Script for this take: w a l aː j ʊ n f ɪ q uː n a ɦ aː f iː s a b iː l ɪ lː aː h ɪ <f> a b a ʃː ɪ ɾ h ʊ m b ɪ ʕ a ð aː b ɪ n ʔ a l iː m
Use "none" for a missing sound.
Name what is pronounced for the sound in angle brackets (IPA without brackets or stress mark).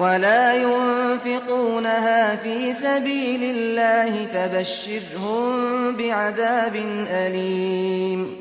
f